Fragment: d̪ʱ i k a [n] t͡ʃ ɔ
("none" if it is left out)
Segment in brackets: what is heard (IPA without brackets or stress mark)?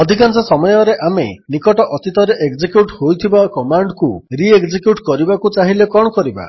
n